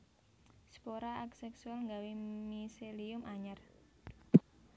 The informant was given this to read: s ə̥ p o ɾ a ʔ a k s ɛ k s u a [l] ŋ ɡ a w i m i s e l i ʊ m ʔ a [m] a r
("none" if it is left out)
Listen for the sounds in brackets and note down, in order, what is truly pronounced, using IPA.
l, ɲ

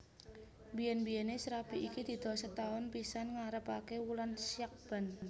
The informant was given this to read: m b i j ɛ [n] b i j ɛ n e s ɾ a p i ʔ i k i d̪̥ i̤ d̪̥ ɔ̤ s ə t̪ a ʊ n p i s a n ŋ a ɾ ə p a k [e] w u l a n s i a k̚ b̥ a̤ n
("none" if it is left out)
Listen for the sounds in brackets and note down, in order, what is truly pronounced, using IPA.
n, e

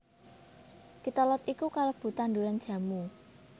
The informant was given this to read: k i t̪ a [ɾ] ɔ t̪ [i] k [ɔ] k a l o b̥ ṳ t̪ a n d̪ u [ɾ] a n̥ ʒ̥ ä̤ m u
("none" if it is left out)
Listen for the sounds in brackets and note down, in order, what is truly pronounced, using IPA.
l, i, u, ɾ

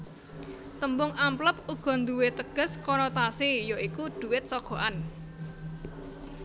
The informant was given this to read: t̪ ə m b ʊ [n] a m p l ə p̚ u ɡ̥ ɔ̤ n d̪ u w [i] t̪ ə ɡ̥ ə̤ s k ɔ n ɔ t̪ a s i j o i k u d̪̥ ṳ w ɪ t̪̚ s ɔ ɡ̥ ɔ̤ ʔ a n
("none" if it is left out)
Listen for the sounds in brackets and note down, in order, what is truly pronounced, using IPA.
ŋ, e

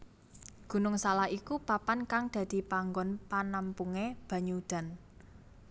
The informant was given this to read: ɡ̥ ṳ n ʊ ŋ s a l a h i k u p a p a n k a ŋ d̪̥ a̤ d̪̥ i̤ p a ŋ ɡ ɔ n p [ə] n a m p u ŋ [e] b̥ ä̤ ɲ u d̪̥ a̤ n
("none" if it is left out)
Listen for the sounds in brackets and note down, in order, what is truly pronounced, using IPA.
a, e

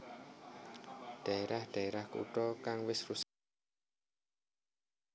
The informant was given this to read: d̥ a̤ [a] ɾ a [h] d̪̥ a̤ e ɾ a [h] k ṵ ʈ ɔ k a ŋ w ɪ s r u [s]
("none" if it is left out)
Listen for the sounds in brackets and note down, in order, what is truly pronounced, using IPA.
e, h, h, s

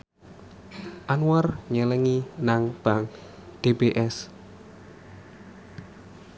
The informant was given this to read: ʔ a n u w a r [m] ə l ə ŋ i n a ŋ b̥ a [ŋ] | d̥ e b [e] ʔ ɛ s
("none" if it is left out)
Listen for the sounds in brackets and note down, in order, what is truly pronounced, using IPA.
ɲ, ŋ, e

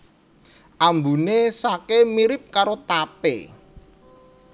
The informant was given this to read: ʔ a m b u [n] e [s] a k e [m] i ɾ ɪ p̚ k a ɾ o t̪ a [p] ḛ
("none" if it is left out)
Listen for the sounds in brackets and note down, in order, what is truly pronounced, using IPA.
n, s, m, p

